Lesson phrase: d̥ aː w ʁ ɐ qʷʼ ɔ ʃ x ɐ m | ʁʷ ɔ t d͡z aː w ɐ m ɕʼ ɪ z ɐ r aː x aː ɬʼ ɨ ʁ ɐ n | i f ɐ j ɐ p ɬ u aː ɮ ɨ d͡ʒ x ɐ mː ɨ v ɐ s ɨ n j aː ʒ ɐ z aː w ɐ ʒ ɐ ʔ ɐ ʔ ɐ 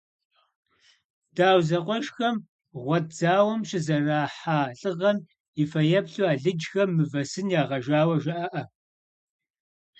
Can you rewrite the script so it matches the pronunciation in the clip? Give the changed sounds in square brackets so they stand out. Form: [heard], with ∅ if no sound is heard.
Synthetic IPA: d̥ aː w [z] ɐ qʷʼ ɔ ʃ x ɐ m | ʁʷ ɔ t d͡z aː w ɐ m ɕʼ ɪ z ɐ r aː [ħ] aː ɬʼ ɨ ʁ ɐ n | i f ɐ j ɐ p ɬ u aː ɮ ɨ d͡ʒ x ɐ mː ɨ v ɐ s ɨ n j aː [ʁ] ɐ [ʒ] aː w ɐ ʒ ɐ ʔ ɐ ʔ ɐ